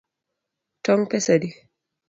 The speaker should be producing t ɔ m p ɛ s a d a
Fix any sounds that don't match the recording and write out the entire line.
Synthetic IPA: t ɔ ŋ p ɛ s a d i